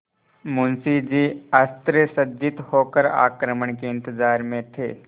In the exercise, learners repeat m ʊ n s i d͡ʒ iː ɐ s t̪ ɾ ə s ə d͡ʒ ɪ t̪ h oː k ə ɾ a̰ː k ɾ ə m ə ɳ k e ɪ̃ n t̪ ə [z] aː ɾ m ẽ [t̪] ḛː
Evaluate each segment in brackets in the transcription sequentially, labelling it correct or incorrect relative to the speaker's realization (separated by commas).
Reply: correct, incorrect